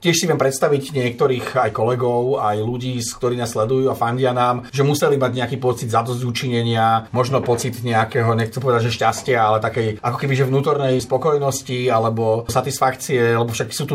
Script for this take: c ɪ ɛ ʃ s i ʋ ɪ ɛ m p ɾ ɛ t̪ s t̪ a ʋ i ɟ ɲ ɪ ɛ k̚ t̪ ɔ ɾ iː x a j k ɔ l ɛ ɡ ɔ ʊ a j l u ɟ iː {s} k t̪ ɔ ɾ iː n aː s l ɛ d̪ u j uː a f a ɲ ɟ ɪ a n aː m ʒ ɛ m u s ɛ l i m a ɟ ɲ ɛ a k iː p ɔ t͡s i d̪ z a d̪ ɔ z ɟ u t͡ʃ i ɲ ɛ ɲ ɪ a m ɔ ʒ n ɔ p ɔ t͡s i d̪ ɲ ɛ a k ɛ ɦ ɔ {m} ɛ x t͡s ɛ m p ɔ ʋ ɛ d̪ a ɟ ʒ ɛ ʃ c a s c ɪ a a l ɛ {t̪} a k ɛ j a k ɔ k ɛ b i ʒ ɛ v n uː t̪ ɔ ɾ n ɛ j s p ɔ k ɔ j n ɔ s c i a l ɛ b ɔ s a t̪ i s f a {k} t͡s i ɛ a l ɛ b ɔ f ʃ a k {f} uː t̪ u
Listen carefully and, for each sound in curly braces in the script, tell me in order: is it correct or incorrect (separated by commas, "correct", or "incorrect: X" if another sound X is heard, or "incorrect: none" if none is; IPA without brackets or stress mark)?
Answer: correct, incorrect: ɲ, correct, correct, incorrect: s